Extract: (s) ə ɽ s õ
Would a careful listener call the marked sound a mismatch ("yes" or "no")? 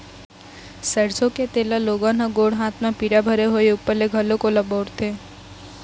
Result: no